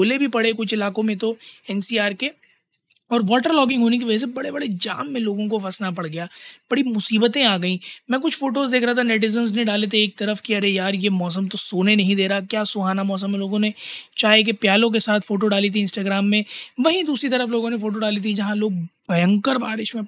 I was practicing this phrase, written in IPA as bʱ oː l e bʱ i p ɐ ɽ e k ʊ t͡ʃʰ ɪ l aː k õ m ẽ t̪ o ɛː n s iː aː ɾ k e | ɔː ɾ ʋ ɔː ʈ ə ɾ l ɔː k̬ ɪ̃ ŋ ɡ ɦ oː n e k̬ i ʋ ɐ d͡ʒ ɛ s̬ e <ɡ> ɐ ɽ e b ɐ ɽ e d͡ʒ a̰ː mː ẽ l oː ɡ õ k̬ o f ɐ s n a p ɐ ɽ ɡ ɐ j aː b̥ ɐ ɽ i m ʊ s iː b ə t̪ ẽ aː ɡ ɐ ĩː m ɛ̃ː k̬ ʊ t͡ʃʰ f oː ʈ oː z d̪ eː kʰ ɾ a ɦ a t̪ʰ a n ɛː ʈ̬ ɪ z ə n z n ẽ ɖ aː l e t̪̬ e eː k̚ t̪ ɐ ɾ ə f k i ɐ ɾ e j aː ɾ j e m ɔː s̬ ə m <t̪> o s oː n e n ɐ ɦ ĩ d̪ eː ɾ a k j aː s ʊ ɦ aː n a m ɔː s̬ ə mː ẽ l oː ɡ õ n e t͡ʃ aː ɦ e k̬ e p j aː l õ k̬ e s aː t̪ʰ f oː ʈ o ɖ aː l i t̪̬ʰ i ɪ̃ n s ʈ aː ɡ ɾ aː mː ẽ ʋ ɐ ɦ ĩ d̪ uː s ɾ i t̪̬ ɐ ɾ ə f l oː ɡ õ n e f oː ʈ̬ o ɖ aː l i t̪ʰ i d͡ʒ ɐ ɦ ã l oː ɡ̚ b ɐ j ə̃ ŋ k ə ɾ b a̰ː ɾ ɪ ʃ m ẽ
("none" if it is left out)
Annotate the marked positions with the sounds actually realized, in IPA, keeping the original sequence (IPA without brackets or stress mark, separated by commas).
b, t̪